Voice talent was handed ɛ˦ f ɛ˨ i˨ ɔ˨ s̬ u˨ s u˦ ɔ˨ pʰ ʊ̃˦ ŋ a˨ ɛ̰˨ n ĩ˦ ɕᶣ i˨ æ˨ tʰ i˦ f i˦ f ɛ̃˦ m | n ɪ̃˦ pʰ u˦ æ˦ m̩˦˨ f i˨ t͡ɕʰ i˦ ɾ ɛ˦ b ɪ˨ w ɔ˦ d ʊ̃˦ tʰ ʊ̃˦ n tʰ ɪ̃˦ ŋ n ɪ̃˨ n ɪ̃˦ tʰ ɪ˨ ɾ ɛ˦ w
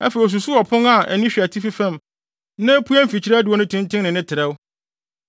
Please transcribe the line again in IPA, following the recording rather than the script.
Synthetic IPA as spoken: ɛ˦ f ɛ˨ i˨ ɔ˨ s̬ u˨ s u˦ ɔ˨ pʰ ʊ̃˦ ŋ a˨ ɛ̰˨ n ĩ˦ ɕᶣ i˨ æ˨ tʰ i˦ f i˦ f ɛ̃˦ m | n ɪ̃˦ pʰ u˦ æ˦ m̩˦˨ f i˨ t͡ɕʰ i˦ ɾ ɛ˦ d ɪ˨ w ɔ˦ n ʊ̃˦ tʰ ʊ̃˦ n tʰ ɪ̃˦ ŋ n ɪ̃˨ n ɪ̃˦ tʰ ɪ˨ ɾ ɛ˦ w

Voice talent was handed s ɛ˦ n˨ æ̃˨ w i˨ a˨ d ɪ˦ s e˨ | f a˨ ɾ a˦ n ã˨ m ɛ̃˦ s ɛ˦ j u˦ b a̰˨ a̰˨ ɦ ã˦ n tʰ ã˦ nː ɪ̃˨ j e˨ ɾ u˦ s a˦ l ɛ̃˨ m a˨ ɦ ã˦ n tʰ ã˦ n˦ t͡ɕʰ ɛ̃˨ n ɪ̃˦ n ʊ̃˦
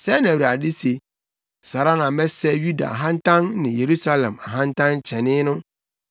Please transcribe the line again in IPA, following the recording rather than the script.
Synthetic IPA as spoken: s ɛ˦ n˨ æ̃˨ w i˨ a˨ d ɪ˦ s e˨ | s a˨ ɾ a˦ n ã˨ m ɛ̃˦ s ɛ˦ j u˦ d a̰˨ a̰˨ ɦ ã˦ n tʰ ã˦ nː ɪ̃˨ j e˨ ɾ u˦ s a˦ l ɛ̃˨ m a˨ ɦ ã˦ n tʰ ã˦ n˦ t͡ɕʰ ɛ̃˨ n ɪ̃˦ n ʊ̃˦

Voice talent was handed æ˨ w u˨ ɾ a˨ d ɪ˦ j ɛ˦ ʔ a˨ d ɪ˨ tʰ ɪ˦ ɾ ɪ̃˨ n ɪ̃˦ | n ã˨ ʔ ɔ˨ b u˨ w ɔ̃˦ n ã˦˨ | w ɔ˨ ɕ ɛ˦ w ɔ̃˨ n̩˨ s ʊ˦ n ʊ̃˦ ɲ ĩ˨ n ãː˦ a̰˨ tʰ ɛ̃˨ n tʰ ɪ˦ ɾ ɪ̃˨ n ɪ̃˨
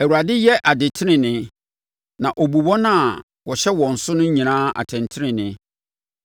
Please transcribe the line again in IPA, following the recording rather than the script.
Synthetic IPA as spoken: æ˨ w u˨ ɾ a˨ d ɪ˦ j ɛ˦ ʔ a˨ d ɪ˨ tʰ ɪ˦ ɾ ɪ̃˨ n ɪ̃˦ | n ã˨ ʔ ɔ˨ b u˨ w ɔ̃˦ n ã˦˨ | w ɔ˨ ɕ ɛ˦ w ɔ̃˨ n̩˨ s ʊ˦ n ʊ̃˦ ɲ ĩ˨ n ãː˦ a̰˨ tʰ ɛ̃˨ n tʰ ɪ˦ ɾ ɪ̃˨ n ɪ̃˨

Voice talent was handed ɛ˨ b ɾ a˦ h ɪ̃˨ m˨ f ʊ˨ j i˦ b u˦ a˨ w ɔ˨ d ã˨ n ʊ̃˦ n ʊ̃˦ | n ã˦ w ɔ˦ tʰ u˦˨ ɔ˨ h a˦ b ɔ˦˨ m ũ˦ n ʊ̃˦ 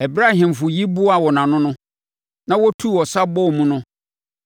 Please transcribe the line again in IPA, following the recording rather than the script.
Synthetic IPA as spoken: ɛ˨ b ɾ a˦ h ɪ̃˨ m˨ f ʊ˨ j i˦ b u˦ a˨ w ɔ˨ n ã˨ n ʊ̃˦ n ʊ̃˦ | n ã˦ w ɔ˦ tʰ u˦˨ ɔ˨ s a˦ b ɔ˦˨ m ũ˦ n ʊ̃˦

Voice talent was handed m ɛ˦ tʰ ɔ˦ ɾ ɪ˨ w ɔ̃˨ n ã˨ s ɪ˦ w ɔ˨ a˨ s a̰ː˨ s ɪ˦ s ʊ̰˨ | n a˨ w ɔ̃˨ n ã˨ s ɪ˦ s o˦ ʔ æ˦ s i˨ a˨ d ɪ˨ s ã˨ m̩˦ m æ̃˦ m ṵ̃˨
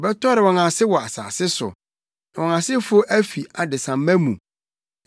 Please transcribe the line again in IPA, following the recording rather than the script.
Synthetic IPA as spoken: b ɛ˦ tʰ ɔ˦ ɾ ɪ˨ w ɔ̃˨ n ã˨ s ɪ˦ w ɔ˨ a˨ s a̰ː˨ s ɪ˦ s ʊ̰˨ | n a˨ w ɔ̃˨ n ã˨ s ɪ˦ f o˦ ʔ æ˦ f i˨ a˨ d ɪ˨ s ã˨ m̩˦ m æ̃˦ m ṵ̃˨

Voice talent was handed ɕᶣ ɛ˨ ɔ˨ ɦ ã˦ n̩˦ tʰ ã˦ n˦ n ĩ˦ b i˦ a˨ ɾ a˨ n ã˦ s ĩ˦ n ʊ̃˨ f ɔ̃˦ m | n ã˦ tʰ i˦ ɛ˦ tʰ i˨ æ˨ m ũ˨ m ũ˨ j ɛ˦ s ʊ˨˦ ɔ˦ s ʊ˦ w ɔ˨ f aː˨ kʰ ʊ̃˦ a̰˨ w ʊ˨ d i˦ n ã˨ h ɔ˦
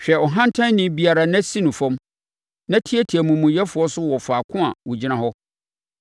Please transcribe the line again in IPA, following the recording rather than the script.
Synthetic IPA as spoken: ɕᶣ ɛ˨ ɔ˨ ɦ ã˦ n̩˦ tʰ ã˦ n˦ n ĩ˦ b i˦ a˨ ɾ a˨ n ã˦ s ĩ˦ n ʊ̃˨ f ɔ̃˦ m | n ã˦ tʰ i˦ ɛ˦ tʰ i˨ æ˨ m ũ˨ m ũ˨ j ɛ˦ f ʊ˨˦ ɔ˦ s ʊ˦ w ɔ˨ f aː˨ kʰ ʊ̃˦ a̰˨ w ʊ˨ d͡ʑ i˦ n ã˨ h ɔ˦

